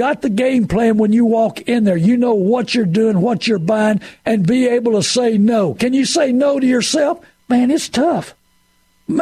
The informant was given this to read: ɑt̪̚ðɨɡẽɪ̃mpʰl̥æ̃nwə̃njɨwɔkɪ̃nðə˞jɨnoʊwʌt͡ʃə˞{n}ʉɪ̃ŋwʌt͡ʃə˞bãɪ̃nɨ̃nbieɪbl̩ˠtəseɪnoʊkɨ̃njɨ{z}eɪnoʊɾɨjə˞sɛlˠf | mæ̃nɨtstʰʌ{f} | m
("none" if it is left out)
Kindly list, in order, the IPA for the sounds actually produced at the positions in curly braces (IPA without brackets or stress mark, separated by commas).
d, s, f